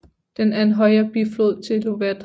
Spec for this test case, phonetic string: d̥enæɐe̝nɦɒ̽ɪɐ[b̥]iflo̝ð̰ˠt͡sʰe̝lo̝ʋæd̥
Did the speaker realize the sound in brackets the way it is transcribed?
yes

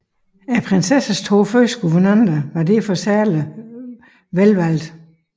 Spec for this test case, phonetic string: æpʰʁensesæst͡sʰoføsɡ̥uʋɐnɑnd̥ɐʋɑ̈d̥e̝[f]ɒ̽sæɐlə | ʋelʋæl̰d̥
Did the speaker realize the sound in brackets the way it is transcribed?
yes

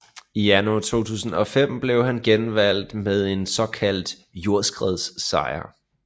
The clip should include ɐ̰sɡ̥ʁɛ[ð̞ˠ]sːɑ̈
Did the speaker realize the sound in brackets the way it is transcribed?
yes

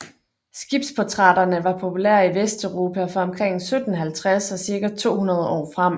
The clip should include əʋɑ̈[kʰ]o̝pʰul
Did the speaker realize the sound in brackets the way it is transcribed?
no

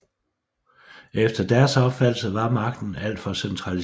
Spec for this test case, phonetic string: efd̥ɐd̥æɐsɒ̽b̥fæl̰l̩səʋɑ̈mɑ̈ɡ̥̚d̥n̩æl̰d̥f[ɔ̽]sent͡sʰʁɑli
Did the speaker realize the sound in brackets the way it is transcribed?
no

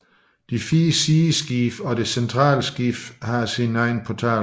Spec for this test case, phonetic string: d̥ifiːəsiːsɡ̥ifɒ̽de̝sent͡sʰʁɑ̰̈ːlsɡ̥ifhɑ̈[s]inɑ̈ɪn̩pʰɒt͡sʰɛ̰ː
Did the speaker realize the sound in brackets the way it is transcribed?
yes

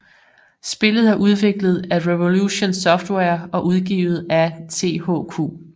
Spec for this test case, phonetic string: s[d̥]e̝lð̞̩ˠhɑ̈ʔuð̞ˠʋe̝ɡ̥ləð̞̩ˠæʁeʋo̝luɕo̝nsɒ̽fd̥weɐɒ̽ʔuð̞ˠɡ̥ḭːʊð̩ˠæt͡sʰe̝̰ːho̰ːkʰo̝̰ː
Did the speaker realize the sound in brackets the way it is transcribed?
no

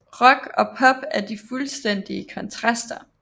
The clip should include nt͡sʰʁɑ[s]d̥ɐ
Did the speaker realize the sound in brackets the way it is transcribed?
yes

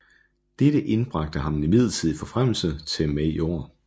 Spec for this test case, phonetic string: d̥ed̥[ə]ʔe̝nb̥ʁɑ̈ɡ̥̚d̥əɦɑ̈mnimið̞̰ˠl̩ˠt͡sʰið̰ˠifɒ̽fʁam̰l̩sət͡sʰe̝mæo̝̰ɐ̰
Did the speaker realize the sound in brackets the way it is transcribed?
yes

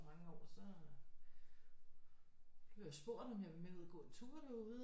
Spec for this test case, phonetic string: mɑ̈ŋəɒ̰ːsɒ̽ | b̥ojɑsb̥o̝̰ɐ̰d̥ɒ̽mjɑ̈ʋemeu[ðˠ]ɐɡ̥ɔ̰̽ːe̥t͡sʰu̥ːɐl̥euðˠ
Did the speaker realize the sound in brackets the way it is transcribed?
yes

